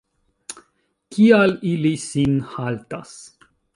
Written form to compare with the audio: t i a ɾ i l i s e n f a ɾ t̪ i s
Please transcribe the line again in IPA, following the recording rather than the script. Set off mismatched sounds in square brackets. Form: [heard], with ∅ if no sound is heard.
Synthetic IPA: [k] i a [l] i l i s [i] n [h] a [l] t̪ [a] s